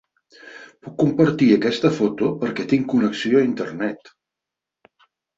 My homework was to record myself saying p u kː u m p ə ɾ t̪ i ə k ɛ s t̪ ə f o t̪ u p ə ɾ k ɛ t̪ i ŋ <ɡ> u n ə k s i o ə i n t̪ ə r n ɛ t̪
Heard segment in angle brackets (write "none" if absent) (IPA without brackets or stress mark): k